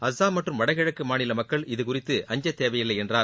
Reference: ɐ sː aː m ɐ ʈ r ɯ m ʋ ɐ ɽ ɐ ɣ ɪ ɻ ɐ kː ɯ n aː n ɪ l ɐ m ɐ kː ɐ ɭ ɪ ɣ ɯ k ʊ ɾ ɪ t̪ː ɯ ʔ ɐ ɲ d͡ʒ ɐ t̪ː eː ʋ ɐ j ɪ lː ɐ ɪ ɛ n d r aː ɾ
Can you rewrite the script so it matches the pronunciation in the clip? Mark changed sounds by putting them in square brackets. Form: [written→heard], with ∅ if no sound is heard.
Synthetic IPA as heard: ɐ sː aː m ɐ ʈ r ɯ m ʋ ɐ ɽ ɐ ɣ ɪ ɻ ɐ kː ɯ [n→m] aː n ɪ l ɐ m ɐ kː ɐ ɭ ɪ [ɣ→ð] ɯ k ʊ [ɾ→r] ɪ t̪ː ɯ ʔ ɐ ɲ d͡ʒ ɐ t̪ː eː ʋ ɐ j ɪ lː ɐ ɪ ɛ n d r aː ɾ